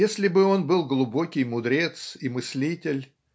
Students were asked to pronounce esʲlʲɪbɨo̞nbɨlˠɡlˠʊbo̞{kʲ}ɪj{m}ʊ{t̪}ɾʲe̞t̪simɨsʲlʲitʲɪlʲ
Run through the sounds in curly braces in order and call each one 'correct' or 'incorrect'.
correct, correct, incorrect: d̪

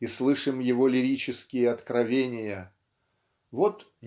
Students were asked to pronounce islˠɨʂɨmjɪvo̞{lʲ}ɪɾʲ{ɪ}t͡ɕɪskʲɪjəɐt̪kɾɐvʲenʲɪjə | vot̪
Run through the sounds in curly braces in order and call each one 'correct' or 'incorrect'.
correct, incorrect: i

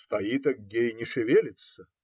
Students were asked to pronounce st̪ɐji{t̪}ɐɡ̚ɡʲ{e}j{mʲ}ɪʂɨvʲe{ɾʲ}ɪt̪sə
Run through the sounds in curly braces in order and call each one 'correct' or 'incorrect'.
correct, correct, incorrect: nʲ, incorrect: lʲ

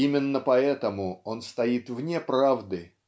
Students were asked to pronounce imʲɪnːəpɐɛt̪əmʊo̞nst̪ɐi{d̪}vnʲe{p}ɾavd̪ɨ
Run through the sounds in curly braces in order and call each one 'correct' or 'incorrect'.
incorrect: t̪, correct

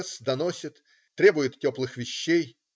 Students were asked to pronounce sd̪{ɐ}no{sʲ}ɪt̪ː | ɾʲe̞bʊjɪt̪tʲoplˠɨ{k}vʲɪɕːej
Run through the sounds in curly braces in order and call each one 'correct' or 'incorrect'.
correct, correct, incorrect: x

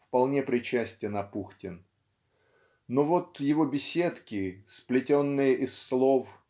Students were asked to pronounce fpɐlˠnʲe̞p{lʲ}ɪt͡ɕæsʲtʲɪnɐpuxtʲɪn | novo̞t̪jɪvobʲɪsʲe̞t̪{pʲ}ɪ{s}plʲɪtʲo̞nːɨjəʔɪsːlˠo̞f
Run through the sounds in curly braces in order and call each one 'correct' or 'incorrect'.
incorrect: ɾʲ, incorrect: kʲ, correct

